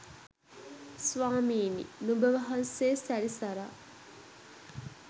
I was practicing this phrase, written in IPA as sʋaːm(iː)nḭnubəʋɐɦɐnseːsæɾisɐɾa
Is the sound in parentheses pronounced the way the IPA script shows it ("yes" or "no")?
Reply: yes